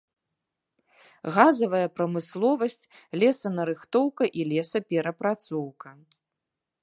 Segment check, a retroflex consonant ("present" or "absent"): absent